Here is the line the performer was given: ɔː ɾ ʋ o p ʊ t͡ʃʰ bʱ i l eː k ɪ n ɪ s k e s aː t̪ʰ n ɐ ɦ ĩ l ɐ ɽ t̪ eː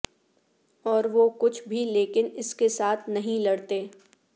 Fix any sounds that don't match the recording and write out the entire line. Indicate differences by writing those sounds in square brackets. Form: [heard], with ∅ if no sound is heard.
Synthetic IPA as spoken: ɔː ɾ ʋ o [k] ʊ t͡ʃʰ bʱ i l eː k ɪ n ɪ s k e s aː t̪ʰ n ɐ ɦ ĩ l ɐ ɽ t̪ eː